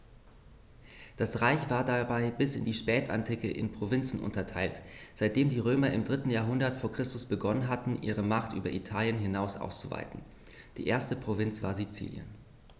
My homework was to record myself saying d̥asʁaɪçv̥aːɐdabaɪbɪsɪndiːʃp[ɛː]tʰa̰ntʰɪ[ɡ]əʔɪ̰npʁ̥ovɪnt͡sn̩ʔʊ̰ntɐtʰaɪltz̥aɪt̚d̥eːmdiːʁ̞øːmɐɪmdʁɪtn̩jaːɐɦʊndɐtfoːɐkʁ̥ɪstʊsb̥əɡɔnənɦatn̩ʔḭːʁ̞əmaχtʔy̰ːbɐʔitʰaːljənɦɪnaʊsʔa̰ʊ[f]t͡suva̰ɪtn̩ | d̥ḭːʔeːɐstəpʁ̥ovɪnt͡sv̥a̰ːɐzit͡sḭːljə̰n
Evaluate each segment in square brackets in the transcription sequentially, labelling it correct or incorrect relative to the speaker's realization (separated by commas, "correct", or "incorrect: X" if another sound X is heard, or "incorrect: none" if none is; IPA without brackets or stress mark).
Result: correct, incorrect: k, incorrect: s